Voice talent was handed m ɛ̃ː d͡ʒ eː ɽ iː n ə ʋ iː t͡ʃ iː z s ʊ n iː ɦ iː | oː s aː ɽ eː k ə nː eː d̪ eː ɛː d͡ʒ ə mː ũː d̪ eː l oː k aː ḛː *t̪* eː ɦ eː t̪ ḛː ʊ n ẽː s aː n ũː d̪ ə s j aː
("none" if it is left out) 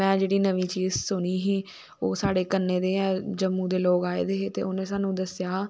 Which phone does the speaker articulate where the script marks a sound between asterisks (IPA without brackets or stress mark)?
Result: d̪